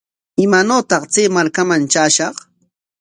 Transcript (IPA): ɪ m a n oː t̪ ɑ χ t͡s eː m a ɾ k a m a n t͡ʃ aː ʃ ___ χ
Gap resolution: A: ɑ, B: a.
A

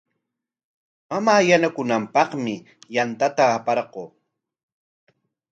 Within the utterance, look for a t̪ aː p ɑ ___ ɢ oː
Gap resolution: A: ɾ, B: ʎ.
A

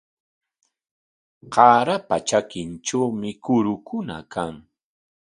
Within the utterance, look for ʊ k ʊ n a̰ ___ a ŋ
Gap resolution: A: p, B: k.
B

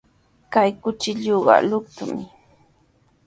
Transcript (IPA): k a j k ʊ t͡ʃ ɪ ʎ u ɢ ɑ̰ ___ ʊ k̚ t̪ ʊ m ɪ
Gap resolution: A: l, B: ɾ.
A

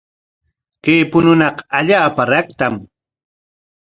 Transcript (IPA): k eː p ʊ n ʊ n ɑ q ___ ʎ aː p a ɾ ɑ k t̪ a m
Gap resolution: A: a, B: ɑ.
A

